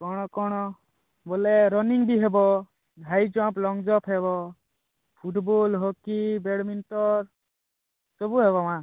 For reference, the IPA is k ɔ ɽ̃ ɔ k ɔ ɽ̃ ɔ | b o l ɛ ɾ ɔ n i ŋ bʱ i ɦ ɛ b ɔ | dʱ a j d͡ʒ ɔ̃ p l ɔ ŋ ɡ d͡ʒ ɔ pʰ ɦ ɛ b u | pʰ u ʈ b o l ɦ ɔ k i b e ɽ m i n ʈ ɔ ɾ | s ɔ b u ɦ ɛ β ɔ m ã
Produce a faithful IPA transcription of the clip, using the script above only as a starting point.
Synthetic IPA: k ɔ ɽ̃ ɔ k ɔ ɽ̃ ɔ | b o l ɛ ɾ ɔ n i ŋ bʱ i ɦ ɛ b ɔ | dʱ a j d͡ʒ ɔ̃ p l ɔ ŋ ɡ d͡ʒ ɔ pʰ ɦ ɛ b ɔ | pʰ u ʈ b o l ɦ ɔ k i b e ɽ m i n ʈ ɔ ɾ | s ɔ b u ɦ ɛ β ɔ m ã